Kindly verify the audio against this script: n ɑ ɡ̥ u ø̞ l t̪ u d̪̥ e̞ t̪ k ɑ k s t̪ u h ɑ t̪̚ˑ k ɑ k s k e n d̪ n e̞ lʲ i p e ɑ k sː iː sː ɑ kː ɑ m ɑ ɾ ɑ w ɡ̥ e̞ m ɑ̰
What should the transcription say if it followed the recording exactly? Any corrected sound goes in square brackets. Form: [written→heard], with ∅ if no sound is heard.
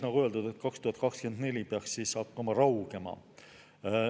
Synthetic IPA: n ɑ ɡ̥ u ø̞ l [t̪→d̪] u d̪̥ e̞ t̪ k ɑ k s t̪ u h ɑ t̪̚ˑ k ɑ k s k e n d̪ n e̞ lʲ i p e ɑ k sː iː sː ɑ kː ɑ m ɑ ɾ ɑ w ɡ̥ e̞ m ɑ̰